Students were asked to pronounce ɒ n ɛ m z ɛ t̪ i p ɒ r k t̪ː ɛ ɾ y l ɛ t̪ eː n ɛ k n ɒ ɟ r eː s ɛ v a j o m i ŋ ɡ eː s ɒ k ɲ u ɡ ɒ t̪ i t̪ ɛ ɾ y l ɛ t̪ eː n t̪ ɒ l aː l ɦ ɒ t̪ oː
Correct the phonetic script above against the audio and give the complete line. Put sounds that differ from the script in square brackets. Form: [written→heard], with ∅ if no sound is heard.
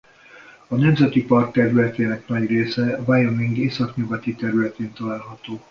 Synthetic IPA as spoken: ɒ n ɛ m z ɛ t̪ i p ɒ r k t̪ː ɛ ɾ y l ɛ t̪ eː n ɛ k n ɒ ɟ r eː s ɛ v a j o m i ŋ ɡ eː s ɒ k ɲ u ɡ ɒ t̪ i t̪ ɛ ɾ y l ɛ t̪ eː n t̪ ɒ l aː l ɦ ɒ t̪ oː